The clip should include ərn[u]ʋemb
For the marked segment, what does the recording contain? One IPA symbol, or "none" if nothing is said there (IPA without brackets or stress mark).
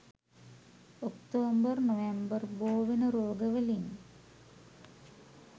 o